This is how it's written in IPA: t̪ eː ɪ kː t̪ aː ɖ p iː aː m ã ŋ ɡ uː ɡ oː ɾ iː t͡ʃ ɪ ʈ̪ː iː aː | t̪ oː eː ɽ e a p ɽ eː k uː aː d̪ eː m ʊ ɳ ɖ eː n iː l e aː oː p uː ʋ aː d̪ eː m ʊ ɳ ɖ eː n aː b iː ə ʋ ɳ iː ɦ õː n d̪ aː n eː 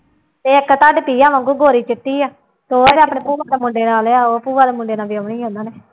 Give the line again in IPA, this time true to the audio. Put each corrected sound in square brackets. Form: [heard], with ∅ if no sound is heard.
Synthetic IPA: t̪ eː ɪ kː t̪ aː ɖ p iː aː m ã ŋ ɡ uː ɡ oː ɾ iː t͡ʃ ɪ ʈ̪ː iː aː | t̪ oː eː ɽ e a p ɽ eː [p] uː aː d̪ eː m ʊ ɳ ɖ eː n [aː] l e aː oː p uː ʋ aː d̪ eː m ʊ ɳ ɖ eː n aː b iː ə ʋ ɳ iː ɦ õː n d̪ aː n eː